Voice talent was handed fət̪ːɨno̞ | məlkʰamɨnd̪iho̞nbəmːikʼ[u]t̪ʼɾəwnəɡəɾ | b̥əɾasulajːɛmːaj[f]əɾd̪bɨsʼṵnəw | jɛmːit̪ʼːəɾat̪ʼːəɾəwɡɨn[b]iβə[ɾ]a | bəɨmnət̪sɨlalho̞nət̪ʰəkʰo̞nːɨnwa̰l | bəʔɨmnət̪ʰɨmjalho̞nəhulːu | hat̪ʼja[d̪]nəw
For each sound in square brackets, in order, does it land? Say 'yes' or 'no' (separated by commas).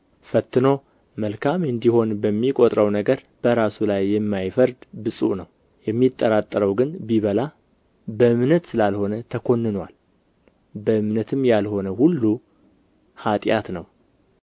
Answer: no, yes, yes, no, no